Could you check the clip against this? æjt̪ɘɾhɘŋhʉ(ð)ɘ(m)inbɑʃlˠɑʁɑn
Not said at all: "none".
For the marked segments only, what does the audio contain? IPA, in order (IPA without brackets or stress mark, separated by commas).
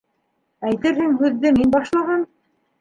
ðː, m